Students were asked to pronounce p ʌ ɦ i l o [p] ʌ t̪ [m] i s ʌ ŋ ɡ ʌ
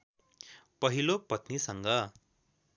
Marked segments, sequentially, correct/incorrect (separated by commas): correct, incorrect